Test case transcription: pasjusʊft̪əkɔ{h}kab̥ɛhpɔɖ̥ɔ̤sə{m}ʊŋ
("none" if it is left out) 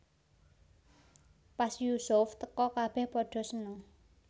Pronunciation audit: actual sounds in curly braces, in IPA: none, n

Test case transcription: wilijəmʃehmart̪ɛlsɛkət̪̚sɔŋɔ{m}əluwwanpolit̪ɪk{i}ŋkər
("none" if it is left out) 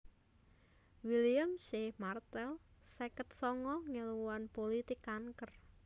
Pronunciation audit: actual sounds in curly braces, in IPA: ŋ, a

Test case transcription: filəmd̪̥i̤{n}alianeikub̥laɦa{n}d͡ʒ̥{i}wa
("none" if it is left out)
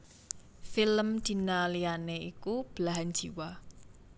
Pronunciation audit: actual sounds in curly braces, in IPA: n, n, i

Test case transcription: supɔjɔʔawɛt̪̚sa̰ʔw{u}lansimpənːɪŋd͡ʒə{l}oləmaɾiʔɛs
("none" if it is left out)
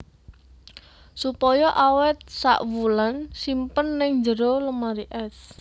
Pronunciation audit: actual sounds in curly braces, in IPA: u, ɾ

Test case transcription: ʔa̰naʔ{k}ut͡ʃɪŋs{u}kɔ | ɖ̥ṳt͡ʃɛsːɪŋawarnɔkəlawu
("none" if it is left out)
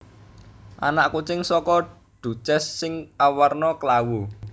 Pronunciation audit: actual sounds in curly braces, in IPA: k, ɔ

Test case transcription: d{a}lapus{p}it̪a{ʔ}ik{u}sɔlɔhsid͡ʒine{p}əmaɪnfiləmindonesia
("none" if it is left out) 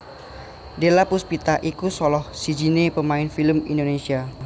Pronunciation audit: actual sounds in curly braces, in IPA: e, p, ʔ, u, p

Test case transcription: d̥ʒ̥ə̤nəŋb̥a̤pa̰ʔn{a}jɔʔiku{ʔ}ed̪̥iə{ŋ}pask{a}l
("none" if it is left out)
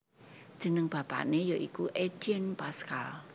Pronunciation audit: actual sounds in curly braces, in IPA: e, ʔ, n, a

